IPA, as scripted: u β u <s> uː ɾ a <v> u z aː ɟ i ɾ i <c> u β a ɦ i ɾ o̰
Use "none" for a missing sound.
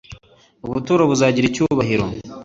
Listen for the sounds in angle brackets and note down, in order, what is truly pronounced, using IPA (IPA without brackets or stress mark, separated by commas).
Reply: t, β, c